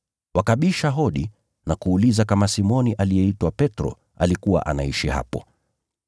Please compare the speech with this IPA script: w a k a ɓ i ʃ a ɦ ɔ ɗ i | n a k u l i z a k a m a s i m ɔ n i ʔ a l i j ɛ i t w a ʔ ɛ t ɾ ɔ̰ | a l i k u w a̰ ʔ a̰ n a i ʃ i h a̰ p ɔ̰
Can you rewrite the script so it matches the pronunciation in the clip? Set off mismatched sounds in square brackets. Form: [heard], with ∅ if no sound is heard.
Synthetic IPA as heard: w a k a ɓ i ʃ a ɦ ɔ ɗ i | n a k [uː] l i z a k a m a s i m ɔ n i ʔ a l i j ɛ i t w a [p] ɛ t ɾ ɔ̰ | a l i k u w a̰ ʔ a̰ n a i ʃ i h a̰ p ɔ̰